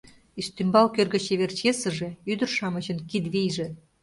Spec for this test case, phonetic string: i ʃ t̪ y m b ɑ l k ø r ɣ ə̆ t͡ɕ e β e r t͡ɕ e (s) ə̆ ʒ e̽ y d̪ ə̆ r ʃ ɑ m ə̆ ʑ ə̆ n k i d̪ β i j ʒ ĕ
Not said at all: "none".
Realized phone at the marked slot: s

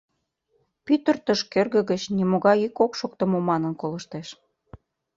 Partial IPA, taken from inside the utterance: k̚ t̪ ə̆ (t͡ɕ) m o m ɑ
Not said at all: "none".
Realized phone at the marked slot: none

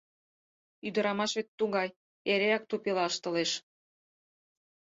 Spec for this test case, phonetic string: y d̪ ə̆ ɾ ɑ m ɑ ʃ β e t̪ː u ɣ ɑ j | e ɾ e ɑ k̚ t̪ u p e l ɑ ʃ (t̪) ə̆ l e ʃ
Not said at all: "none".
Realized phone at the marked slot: t̪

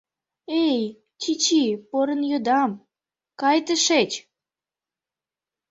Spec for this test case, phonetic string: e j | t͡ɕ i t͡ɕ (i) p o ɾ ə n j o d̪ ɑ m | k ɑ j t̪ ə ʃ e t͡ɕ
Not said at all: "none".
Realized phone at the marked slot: i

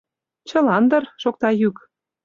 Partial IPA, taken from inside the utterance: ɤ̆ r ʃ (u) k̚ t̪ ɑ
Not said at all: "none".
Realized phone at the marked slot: o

